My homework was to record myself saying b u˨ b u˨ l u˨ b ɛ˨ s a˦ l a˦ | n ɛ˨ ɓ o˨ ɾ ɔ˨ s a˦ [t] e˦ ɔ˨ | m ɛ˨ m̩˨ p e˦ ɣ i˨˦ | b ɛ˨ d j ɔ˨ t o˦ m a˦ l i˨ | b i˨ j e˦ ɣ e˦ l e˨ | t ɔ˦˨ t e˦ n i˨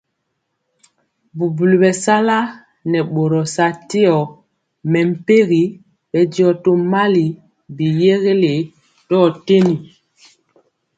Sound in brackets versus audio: correct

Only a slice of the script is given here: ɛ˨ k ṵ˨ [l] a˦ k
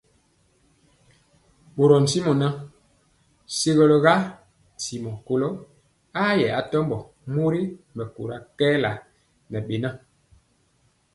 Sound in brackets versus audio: incorrect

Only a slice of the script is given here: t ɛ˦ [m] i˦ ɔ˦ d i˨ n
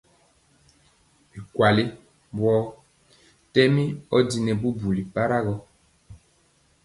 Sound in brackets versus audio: correct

